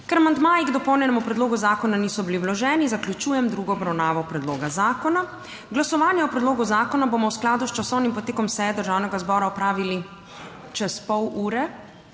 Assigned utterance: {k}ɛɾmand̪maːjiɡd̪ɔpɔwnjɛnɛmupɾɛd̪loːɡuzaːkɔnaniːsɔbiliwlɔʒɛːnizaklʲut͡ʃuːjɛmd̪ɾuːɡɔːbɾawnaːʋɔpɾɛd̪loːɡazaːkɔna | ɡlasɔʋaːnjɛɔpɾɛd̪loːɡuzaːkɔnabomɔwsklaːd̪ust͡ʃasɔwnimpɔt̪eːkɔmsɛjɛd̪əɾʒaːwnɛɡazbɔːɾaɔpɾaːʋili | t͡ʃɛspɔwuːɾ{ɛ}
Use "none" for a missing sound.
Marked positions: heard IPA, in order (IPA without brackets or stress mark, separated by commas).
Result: k, ɛ